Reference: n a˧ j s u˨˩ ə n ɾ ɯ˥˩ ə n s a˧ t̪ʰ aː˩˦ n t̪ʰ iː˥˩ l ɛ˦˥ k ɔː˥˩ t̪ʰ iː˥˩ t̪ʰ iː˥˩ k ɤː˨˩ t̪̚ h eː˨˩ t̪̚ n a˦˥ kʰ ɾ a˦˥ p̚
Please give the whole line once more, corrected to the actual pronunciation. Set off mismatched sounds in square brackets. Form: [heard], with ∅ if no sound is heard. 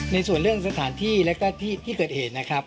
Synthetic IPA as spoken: n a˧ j s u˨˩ ə n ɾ ɯ˥˩ ə [ŋ] s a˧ t̪ʰ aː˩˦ n t̪ʰ iː˥˩ l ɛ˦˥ k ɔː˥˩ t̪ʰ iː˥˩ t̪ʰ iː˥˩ k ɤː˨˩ t̪̚ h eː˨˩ t̪̚ n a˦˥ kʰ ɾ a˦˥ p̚